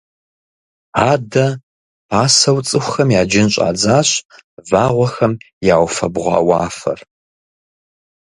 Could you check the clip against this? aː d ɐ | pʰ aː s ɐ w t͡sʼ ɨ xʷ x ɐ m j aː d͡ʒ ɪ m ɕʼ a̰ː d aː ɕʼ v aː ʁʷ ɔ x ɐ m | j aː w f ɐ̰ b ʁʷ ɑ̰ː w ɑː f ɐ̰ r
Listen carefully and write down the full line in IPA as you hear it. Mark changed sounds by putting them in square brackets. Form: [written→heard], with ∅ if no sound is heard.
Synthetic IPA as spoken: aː d ɐ | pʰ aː s ɐ w t͡sʼ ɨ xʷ x ɐ m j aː d͡ʒ ɪ [m→n] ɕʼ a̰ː [d→d͡z] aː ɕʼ v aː ʁʷ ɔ x ɐ m | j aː w f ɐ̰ b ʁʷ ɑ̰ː w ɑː f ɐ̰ r